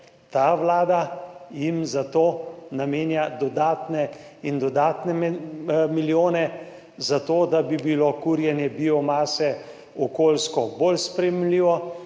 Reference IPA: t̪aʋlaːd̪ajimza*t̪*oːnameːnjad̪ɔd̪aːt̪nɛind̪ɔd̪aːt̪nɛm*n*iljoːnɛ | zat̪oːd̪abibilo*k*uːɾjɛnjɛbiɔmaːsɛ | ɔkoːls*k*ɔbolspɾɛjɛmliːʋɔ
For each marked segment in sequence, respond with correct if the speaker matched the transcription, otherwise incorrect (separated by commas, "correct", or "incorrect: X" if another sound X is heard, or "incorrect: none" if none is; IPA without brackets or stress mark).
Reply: correct, incorrect: m, correct, correct